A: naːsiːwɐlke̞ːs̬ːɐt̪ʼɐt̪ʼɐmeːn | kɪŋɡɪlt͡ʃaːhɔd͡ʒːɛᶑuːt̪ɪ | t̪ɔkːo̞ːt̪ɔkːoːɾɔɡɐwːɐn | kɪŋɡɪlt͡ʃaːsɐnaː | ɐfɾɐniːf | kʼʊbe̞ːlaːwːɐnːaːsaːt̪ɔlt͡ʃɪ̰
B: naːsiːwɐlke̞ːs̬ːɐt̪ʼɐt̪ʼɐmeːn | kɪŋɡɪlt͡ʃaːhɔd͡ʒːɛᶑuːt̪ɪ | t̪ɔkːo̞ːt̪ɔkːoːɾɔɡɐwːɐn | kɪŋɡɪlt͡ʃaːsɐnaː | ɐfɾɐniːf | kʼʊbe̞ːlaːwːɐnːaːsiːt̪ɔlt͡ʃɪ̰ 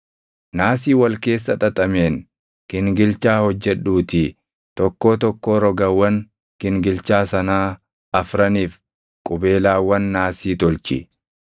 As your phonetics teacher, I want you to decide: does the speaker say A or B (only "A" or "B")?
B